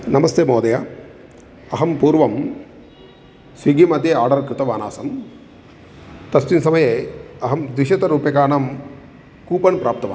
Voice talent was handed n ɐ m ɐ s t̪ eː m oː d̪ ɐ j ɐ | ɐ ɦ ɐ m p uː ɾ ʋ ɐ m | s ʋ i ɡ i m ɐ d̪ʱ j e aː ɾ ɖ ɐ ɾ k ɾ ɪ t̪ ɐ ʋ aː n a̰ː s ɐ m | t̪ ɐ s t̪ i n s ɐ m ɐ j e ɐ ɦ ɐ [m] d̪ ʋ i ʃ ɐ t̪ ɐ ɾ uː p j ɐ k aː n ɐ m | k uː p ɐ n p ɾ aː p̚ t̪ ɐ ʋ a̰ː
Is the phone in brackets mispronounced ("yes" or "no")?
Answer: no